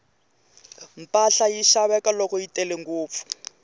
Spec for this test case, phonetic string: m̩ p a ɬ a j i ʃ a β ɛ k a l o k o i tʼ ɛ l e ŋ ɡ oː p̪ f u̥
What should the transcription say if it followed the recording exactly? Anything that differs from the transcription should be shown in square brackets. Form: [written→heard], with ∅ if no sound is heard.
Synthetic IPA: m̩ p a ɬ a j i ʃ a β ɛ k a l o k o i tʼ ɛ l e ŋ ɡ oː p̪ f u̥